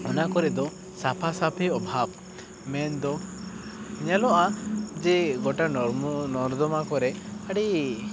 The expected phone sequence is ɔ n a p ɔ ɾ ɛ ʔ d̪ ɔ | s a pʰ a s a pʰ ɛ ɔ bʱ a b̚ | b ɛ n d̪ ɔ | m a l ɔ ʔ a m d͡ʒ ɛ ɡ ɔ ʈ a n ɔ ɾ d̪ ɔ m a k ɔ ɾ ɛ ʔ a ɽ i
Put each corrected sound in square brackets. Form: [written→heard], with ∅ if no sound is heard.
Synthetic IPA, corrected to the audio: ɔ n a [p→k] ɔ ɾ ɛ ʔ d̪ ɔ | s a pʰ a s a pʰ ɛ ɔ bʱ a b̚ | [b→m] ɛ n d̪ ɔ | [m→ɲ] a l ɔ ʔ a [m→∅] d͡ʒ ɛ ɡ ɔ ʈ a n ɔ ɾ d̪ ɔ m a k ɔ ɾ ɛ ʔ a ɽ i